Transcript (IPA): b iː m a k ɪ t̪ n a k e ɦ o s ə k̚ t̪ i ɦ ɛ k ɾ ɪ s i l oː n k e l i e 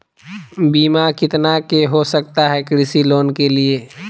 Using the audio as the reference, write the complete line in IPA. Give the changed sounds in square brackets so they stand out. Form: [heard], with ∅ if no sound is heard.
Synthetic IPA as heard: b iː m a k ɪ t̪ n a k e ɦ o s ə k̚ t̪ [a] ɦ ɛ k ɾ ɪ s i l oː n k e l i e